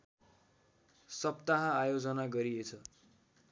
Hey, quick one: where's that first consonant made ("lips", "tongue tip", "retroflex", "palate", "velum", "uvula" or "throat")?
tongue tip